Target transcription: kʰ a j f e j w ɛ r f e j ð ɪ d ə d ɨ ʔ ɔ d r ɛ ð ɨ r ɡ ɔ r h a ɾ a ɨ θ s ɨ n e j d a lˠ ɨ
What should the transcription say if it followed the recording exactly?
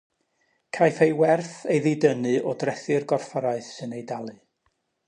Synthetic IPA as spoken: kʰ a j f e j w ɛ r θ e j ð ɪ d ə n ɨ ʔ ɔ d r ɛ θ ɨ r ɡ ɔ r f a ɾ a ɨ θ s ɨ n e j d a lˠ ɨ